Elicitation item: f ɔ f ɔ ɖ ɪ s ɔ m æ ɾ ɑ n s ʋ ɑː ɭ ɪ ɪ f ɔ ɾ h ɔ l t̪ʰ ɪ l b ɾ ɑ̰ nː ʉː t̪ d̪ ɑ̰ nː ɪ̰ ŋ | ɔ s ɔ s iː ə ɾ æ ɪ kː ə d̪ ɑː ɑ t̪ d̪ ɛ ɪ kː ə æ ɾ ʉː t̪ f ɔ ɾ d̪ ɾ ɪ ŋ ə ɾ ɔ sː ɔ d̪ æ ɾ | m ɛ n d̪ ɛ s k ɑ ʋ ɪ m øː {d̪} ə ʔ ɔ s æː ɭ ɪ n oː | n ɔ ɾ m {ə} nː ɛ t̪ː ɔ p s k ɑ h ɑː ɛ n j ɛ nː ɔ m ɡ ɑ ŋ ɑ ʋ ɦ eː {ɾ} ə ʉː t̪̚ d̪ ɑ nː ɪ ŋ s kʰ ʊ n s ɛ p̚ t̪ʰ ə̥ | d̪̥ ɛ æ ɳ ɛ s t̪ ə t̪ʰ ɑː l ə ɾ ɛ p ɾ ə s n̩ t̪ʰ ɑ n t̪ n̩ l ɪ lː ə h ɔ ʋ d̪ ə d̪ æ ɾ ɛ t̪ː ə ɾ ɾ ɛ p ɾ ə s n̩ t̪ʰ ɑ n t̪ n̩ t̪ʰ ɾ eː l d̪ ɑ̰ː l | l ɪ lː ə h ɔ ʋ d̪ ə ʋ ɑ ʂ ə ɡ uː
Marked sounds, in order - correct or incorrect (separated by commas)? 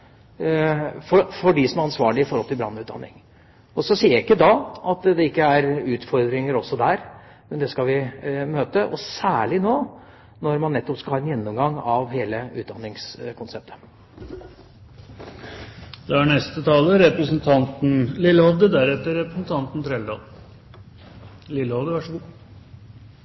incorrect, incorrect, incorrect